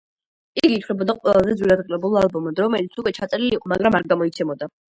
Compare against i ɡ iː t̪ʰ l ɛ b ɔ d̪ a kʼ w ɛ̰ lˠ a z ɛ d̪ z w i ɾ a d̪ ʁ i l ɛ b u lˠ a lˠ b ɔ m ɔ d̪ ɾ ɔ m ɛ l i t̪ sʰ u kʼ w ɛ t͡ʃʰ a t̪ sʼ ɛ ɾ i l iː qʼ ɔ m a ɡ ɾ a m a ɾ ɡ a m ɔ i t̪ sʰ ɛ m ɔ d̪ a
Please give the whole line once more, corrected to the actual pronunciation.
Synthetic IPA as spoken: i ɡ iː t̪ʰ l ɛ b ɔ d̪ a qʼ w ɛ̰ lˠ a z ɛ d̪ z w i ɾ a d̪ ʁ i l ɛ b u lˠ a lˠ b ɔ m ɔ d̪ ɾ ɔ m ɛ l i t̪ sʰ u kʼ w ɛ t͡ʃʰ a t̪ sʼ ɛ ɾ i l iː qʼ ɔ m a ɡ ɾ a m a ɾ ɡ a m ɔ i t̪ sʰ ɛ m ɔ d̪ a